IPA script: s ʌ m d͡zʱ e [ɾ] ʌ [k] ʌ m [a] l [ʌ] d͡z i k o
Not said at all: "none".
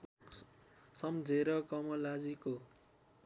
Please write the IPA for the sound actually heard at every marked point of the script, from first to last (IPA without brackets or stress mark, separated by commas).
ɾ, k, ʌ, a